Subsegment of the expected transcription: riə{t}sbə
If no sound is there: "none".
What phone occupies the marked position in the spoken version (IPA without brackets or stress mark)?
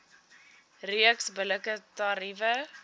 k